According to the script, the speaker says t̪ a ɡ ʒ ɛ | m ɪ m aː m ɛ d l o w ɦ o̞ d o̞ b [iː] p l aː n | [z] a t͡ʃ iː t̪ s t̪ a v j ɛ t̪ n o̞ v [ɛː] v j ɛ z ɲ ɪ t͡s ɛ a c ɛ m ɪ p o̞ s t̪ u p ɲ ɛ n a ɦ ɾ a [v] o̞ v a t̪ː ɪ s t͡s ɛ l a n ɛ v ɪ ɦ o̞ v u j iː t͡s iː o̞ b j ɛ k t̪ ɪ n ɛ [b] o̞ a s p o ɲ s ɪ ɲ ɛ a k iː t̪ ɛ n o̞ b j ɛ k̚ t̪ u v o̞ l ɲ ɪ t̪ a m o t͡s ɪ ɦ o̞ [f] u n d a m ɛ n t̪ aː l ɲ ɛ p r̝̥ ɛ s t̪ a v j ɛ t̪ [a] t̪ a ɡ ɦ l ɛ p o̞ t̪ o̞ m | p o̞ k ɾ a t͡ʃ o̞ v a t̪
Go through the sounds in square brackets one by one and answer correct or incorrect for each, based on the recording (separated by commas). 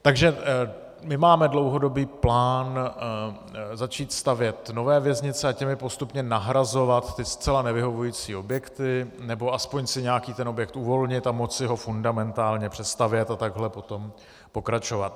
correct, correct, correct, incorrect, correct, correct, correct